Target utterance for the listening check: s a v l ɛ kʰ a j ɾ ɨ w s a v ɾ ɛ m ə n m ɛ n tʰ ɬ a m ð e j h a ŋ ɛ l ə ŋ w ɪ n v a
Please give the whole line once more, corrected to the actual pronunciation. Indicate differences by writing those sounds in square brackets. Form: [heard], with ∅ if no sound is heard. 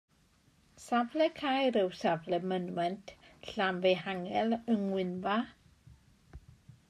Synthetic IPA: s a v l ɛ kʰ a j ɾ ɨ w s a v [l] ɛ m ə n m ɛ n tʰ ɬ a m [v] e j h a ŋ ɛ l ə ŋ w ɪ n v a